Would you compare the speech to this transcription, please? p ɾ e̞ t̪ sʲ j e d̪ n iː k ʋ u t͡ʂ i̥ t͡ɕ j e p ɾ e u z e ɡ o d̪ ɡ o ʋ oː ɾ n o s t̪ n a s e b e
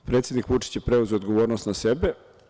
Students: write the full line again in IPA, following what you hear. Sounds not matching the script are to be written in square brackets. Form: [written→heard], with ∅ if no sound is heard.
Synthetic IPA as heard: p ɾ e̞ t̪ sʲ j e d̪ n [iː→i] k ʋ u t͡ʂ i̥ t͡ɕ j e p ɾ e u z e [ɡ→∅] o d̪ ɡ o ʋ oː ɾ n o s t̪ n a s e b e